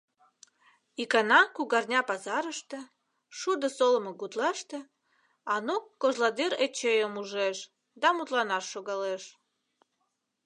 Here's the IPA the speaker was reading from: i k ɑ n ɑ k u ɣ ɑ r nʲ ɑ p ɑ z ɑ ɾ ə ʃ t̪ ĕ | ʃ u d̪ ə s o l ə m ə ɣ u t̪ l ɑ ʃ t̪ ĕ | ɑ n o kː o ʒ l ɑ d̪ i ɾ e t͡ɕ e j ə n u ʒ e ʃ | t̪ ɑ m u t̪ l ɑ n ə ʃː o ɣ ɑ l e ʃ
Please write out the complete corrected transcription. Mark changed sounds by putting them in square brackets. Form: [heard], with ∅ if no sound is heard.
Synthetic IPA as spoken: i k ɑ n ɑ k u ɣ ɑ r nʲ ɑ p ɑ z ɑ ɾ ə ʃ t̪ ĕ | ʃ u d̪ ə s o l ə m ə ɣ u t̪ l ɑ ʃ t̪ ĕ | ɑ n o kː o ʒ l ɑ d̪ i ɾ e t͡ɕ e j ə [m] u ʒ e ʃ | [d̪] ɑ m u t̪ l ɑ n [ɑ] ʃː o ɣ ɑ l e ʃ